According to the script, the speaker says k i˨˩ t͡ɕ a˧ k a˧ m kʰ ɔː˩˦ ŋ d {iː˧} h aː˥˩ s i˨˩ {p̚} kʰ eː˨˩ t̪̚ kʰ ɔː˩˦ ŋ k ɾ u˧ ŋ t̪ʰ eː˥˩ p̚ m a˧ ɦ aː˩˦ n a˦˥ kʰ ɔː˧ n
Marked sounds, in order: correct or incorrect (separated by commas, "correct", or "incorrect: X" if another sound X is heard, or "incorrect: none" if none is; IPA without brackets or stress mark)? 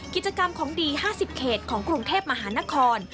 correct, correct